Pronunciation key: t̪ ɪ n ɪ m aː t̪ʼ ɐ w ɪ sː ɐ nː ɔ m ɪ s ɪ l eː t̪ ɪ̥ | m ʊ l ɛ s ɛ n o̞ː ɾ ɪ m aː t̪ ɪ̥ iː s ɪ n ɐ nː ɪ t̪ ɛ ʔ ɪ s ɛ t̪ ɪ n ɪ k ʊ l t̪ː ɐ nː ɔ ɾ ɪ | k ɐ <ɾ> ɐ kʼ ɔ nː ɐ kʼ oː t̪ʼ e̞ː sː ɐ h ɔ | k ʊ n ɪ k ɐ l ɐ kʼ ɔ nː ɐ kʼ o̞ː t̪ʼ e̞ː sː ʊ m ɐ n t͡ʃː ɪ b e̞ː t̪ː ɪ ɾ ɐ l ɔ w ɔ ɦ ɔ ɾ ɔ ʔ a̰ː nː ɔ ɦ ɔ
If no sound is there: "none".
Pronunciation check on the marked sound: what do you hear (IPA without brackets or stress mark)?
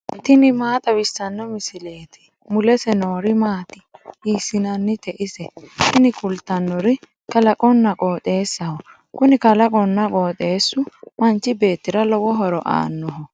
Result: l